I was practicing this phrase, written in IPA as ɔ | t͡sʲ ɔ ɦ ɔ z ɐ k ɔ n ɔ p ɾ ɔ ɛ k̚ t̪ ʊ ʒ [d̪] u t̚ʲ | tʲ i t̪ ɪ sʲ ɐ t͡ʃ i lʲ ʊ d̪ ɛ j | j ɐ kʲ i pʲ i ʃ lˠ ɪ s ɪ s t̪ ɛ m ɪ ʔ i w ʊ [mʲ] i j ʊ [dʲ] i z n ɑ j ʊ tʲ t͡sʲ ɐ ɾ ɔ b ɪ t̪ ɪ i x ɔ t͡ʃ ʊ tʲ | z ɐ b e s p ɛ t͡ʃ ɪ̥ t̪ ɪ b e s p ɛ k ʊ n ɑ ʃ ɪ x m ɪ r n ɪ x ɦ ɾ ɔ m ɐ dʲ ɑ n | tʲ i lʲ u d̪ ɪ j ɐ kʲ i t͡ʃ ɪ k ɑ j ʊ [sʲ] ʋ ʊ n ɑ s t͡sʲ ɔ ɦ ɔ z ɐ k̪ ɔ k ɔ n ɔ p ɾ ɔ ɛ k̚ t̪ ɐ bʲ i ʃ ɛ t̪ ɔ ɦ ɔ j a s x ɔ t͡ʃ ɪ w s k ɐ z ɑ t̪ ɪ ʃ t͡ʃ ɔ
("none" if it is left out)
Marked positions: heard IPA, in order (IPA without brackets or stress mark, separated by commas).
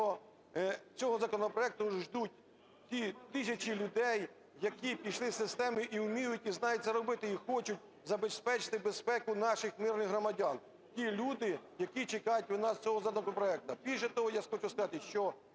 d̪, mʲ, tʲ, tʲ